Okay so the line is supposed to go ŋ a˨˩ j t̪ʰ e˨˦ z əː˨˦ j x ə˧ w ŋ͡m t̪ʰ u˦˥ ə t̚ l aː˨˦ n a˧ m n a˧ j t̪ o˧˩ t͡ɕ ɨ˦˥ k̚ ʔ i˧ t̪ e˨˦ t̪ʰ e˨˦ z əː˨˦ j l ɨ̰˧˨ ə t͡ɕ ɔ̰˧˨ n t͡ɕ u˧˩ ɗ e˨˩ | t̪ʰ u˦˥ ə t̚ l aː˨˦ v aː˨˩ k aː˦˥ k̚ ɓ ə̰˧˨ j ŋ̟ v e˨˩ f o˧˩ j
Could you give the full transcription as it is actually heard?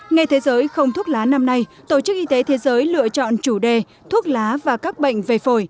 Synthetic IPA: ŋ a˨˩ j t̪ʰ e˨˦ z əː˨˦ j x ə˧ w ŋ͡m t̪ʰ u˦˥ ə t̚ l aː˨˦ n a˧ m n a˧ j t̪ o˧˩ t͡ɕ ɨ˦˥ k̚ ʔ i˧ t̪ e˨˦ t̪ʰ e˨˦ z əː˨˦ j l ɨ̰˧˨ ə t͡ɕ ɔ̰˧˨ n t͡ɕ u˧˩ ɗ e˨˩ | t̪ʰ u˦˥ ə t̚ l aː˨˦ v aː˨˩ k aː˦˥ k̚ ɓ ə̰˧˨ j ŋ̟ v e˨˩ f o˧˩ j